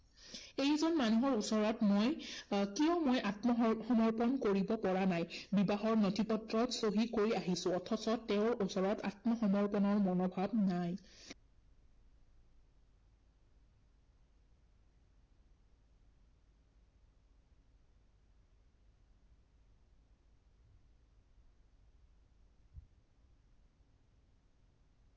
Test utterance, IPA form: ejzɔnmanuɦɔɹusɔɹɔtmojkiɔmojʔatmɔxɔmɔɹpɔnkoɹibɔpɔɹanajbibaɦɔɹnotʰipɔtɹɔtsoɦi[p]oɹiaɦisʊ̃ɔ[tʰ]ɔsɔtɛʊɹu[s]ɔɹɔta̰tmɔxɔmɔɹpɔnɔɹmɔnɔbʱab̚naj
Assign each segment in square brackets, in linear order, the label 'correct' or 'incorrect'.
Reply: incorrect, correct, correct

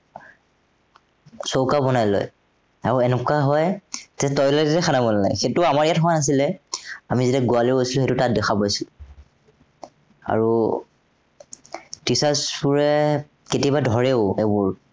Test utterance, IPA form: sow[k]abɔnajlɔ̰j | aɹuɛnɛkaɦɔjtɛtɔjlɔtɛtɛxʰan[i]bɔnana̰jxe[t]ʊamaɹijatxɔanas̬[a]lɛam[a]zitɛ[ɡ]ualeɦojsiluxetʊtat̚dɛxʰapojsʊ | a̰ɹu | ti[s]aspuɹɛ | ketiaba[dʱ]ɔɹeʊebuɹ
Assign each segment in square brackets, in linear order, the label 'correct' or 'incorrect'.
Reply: correct, incorrect, correct, incorrect, incorrect, correct, correct, correct

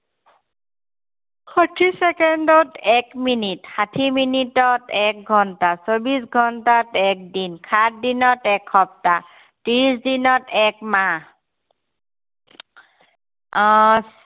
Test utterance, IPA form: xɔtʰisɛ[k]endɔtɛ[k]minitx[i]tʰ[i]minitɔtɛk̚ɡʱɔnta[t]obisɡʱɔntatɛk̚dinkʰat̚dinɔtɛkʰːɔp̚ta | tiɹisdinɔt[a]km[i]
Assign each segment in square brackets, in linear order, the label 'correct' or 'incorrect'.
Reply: correct, correct, incorrect, correct, incorrect, incorrect, incorrect

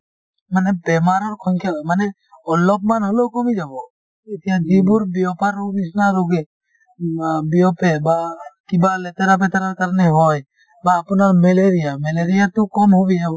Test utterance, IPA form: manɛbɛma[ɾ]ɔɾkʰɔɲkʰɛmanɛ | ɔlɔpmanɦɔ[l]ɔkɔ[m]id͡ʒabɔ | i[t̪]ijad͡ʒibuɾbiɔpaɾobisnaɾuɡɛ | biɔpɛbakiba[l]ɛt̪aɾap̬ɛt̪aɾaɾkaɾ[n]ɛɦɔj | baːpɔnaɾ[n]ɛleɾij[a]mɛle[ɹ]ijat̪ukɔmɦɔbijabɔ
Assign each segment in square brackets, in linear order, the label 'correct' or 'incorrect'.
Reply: correct, correct, correct, correct, correct, correct, incorrect, correct, incorrect

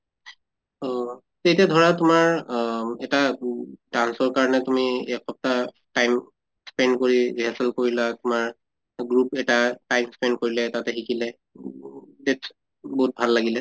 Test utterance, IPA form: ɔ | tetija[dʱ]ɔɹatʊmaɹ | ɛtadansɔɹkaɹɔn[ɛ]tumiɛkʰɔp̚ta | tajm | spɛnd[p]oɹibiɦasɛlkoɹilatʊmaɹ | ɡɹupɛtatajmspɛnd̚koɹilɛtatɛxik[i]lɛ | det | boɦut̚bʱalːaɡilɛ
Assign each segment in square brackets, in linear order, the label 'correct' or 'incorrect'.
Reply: correct, correct, incorrect, correct

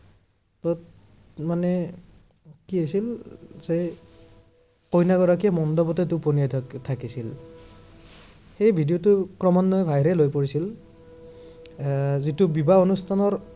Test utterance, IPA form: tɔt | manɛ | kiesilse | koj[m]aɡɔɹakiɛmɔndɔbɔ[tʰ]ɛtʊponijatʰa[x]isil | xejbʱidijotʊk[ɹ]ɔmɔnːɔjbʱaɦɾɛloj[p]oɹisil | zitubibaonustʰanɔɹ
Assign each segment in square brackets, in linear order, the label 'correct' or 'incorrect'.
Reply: incorrect, incorrect, incorrect, correct, correct

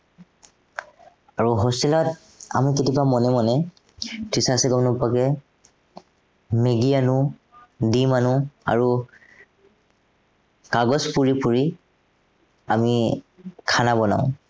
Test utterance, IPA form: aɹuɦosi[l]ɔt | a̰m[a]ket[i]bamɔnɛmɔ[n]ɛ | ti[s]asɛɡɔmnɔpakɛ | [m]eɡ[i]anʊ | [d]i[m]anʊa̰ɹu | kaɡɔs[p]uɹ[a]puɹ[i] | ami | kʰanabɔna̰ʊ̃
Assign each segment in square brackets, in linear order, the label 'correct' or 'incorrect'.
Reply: correct, incorrect, correct, correct, correct, correct, correct, correct, correct, correct, incorrect, correct

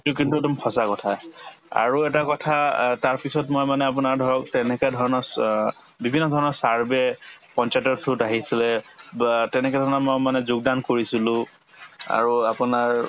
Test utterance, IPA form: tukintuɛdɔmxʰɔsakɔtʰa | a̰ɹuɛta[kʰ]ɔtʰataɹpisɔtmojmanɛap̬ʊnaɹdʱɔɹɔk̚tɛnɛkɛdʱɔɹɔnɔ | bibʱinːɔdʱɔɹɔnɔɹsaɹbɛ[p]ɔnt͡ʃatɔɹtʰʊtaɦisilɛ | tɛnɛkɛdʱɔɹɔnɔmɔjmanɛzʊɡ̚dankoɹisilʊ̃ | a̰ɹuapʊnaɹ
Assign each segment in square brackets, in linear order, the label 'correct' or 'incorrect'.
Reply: incorrect, correct

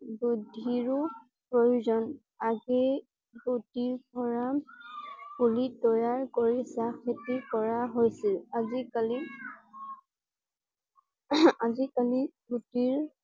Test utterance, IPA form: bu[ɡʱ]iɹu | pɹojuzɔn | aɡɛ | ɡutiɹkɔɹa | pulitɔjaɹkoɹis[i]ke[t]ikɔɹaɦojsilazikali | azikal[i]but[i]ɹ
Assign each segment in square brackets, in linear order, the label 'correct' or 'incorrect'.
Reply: incorrect, incorrect, correct, correct, correct

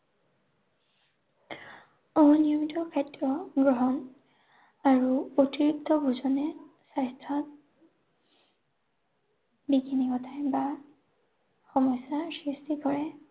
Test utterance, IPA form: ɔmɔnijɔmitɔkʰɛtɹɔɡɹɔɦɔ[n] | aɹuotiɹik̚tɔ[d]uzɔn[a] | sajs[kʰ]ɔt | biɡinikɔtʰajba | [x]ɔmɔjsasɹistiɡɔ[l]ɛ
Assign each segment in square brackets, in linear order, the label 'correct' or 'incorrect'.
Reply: correct, incorrect, incorrect, incorrect, correct, incorrect

